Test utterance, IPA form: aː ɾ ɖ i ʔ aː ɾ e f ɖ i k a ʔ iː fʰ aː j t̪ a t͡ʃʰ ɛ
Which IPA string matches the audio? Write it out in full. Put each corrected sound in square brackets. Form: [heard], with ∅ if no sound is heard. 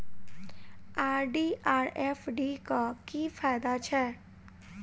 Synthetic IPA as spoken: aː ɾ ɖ i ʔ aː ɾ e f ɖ i k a [k] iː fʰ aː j [d̪] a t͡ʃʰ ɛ